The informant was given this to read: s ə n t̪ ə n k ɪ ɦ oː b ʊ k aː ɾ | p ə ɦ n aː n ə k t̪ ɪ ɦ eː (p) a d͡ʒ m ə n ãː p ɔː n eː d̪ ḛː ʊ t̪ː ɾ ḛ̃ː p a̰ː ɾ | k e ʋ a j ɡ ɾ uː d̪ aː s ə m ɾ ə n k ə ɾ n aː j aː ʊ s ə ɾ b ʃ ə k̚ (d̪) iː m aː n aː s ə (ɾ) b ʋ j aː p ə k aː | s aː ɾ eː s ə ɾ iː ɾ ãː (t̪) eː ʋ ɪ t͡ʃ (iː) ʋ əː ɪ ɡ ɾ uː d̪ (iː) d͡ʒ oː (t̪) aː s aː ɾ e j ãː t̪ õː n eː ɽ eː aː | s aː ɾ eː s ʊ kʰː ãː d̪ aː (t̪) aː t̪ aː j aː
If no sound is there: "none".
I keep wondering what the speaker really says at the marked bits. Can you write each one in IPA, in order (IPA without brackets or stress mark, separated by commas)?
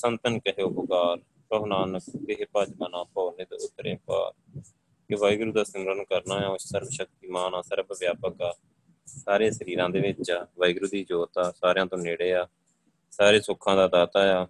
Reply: p, t̪, ɾ, d̪, aː, iː, t̪, d̪